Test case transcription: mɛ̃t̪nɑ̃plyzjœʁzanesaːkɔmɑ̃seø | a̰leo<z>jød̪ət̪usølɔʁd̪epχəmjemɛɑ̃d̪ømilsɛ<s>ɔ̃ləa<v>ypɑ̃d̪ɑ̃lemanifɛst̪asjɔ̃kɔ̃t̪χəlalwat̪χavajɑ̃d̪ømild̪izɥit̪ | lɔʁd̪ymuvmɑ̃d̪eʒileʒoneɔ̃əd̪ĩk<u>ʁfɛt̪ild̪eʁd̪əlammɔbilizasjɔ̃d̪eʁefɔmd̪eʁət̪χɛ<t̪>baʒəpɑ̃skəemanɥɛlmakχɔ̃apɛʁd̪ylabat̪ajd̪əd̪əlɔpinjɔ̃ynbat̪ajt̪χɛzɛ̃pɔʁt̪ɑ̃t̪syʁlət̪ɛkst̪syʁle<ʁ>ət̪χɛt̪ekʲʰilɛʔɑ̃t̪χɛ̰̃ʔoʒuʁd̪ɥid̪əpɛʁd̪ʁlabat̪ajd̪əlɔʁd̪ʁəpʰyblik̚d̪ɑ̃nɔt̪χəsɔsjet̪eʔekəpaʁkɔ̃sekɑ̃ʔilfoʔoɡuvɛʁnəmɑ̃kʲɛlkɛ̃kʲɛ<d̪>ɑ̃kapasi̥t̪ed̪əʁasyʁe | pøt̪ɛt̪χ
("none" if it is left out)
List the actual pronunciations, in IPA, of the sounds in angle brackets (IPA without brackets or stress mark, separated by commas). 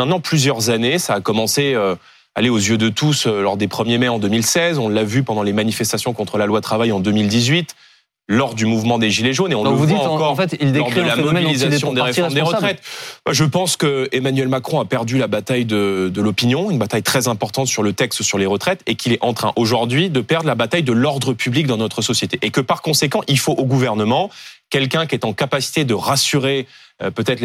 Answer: z, z, v, ɔ, t̪, ʁ, t̪